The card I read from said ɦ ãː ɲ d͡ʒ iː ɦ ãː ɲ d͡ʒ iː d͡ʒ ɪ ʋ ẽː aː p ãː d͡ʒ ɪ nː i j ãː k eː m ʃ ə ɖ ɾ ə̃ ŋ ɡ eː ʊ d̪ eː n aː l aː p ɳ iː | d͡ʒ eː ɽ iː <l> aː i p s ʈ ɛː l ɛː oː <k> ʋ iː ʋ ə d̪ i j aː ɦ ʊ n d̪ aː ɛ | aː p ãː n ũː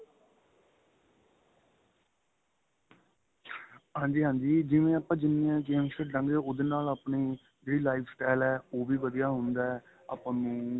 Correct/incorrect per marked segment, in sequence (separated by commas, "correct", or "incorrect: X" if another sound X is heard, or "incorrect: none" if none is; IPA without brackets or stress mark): correct, incorrect: none